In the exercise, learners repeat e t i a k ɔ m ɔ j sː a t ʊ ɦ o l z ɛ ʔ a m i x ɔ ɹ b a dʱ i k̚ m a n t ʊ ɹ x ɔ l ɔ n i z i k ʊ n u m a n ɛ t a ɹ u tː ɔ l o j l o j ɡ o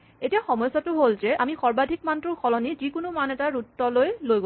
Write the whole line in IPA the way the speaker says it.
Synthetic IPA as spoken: e t i a x ɔ m ɔ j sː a t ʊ ɦ o l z ɛ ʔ a m i x ɔ ɹ b a dʱ i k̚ m a n t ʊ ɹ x ɔ l ɔ n i z i k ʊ n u m a n ɛ t a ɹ u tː ɔ l o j l o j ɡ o